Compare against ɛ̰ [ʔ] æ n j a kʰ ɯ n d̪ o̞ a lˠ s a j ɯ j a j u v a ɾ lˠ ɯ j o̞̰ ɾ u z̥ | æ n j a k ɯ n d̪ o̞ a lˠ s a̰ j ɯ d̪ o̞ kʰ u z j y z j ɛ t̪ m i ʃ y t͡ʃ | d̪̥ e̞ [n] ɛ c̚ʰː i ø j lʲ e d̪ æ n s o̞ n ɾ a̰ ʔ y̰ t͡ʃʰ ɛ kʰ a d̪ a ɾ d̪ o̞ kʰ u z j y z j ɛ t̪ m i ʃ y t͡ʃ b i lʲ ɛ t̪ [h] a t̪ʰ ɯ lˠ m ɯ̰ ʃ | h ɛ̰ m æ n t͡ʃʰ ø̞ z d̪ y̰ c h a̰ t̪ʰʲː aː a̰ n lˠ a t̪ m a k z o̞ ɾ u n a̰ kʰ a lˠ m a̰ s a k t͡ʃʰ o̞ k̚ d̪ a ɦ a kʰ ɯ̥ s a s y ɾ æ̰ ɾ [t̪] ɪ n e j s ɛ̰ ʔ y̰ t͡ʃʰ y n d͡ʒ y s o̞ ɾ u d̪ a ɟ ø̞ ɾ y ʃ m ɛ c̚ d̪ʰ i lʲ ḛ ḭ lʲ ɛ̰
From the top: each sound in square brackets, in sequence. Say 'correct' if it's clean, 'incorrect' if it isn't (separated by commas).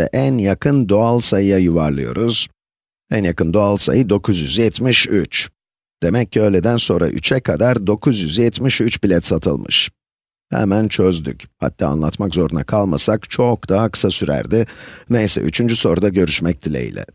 correct, incorrect, incorrect, incorrect